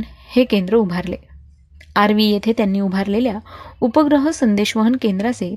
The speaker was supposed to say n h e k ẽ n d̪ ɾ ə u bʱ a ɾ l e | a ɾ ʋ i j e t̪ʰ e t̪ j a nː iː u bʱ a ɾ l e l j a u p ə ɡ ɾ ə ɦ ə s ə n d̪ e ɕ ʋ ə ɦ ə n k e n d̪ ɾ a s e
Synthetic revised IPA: n h e k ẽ n d̪ ɾ ə u bʱ a ɾ l e | a ɾ ʋ i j e t̪ʰ e t̪ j a nː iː u bʱ a ɾ l e l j a u p ə ɡ ɾ ə ɦ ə s ə n d̪ e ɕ ʋ ə ɦ ə n k e n d̪ ɾ a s e